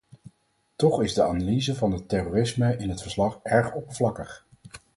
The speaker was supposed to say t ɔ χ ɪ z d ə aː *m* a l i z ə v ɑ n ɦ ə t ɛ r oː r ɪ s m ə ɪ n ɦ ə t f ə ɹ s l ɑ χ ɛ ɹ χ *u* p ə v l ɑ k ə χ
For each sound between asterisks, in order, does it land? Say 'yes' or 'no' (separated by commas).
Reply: no, no